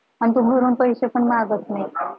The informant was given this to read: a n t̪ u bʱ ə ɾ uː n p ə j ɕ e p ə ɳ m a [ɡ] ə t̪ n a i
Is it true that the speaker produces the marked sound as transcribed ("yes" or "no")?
yes